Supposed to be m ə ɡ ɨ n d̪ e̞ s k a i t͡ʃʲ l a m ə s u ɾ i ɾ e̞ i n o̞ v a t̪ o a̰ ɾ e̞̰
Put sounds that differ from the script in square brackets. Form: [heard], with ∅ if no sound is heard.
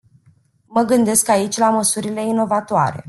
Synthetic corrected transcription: m ə ɡ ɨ n d̪ e̞ s k a i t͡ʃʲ l a m ə s u ɾ i [l] e̞ i n o̞ v a t̪ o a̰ ɾ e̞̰